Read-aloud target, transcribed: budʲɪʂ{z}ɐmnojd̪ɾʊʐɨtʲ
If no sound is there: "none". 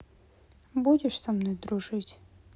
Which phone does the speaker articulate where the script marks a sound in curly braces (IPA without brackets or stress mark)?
s